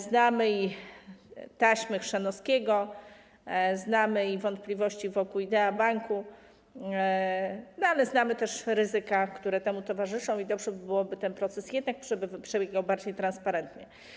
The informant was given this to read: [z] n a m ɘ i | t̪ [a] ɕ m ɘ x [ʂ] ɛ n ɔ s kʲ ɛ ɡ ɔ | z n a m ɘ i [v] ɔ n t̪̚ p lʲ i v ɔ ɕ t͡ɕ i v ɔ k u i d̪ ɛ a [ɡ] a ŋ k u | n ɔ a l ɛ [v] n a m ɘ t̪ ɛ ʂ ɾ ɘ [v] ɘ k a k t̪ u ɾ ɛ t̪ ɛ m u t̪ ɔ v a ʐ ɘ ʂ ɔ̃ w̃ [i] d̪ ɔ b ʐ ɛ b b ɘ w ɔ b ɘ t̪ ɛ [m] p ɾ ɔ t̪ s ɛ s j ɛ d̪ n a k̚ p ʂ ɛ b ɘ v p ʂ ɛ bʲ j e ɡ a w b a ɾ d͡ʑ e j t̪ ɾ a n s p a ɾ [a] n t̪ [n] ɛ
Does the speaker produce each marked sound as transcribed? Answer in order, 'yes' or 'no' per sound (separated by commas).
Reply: yes, yes, yes, yes, no, no, no, yes, no, no, no